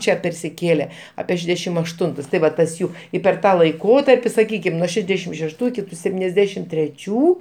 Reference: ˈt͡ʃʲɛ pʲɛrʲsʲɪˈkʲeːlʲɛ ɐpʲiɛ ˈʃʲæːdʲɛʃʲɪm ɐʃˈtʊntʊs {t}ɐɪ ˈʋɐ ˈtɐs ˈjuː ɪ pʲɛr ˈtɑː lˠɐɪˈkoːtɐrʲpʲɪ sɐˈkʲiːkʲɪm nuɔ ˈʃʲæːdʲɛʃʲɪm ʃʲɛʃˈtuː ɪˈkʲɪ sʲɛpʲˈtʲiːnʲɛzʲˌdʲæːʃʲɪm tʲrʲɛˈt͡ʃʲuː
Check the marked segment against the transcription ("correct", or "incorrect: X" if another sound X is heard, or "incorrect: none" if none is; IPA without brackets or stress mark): correct